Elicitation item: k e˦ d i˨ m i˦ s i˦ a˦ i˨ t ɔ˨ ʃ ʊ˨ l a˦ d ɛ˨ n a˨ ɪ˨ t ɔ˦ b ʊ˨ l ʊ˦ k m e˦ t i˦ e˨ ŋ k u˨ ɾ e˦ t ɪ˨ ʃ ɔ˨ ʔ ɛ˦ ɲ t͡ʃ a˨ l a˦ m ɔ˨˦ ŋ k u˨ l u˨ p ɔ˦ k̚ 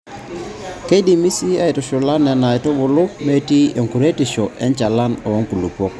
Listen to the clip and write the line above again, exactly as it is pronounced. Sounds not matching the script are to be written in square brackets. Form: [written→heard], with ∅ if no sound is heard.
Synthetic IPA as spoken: k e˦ d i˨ m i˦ s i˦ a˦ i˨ t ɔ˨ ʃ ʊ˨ l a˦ [d→n] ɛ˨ n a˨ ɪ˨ t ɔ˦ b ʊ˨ l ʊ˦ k m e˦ t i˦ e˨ ŋ k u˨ ɾ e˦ t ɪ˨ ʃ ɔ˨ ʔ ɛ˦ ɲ t͡ʃ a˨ l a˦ [m→n] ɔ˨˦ ŋ k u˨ l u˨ p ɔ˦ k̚